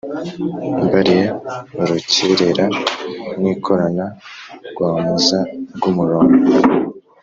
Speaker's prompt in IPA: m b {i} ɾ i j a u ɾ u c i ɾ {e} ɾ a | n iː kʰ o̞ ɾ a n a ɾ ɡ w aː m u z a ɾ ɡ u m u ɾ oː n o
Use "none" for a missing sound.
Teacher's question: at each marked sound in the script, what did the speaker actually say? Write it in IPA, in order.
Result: a, e

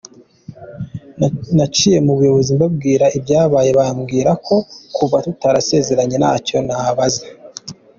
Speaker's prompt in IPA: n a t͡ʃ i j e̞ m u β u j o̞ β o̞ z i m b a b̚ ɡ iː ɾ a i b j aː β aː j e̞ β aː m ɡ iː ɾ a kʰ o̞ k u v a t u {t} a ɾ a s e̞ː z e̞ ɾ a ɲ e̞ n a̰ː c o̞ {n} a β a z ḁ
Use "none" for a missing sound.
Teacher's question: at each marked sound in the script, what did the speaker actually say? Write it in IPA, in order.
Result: t, n

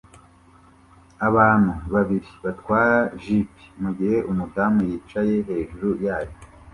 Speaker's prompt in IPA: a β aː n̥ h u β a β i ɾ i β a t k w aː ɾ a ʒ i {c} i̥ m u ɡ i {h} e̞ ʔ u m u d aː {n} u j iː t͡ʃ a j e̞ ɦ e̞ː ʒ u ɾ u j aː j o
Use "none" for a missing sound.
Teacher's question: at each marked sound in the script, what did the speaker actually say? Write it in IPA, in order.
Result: p, h, m

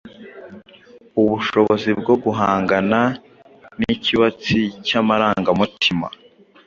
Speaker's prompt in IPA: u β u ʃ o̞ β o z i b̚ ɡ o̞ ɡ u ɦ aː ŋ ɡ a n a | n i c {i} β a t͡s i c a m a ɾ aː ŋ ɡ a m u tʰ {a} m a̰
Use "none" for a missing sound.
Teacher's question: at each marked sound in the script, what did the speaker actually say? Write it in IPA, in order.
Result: i, i

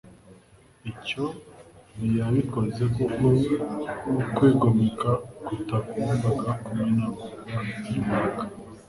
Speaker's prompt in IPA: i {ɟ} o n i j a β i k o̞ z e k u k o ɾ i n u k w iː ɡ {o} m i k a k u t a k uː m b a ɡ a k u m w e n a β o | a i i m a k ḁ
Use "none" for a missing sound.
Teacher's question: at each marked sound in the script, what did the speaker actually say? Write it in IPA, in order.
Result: c, o

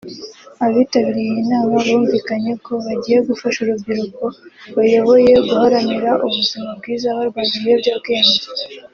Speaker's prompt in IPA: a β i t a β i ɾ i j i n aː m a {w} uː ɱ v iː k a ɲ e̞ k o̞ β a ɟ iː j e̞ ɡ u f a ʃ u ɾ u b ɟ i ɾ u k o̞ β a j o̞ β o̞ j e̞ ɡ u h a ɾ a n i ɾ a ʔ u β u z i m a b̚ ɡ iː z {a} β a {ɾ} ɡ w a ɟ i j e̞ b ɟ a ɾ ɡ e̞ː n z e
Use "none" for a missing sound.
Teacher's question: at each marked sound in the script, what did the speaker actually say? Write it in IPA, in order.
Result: β, a, ɾ

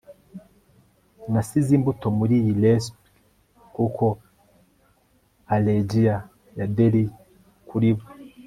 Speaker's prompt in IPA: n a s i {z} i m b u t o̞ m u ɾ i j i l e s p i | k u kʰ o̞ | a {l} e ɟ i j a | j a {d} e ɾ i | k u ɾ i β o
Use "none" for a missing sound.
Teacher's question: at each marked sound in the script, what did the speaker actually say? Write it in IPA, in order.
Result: z, l, d

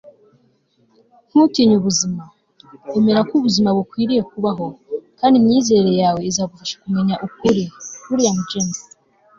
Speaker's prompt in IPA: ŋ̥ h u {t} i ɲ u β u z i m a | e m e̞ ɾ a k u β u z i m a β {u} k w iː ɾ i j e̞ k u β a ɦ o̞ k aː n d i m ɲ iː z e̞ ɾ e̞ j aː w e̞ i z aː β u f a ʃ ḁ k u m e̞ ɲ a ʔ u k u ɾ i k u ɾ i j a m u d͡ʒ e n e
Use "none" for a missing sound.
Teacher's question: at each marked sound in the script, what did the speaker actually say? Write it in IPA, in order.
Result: t, u

